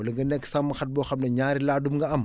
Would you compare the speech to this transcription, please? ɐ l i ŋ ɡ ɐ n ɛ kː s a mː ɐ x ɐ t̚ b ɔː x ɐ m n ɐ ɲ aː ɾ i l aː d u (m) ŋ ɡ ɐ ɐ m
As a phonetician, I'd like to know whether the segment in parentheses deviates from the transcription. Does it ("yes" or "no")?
no